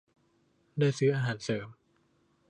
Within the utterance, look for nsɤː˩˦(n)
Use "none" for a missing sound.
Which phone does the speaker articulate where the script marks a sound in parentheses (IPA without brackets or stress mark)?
m